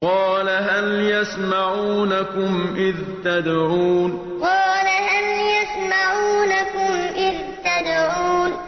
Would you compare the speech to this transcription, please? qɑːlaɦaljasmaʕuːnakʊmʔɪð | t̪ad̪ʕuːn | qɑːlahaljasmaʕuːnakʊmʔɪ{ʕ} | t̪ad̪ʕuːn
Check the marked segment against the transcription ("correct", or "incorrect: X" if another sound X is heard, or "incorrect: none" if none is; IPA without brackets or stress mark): incorrect: ð